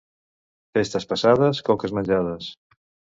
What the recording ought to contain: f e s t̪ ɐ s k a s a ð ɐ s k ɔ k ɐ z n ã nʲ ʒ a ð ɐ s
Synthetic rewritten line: f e s t̪ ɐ s p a s a ð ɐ s k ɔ k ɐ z m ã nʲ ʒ a ð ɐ s